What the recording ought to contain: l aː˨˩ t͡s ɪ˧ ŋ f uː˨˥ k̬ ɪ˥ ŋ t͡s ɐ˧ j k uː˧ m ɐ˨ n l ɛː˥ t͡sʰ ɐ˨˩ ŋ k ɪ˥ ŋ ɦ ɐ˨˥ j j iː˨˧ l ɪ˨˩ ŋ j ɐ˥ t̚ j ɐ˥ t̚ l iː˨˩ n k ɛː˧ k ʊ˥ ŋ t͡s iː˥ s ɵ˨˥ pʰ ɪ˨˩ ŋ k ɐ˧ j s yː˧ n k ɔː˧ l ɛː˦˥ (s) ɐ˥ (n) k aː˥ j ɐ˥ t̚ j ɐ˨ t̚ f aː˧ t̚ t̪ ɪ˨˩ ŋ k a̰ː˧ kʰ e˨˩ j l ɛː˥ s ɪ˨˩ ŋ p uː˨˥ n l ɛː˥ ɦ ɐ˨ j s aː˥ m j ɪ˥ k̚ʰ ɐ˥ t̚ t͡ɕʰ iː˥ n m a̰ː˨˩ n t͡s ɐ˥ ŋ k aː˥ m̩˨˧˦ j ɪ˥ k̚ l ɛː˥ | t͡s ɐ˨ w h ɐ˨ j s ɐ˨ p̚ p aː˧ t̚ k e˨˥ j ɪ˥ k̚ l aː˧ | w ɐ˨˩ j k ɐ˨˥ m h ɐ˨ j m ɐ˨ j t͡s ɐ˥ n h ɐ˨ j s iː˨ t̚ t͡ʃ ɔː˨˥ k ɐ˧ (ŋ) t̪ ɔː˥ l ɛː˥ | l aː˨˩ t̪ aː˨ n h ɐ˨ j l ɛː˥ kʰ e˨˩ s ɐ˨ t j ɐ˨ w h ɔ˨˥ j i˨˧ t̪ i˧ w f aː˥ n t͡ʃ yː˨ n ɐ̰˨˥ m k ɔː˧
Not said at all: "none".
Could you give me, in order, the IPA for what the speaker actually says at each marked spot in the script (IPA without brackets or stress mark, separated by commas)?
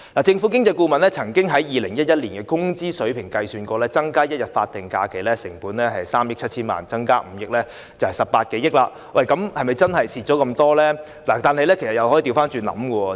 t͡s, ŋ, m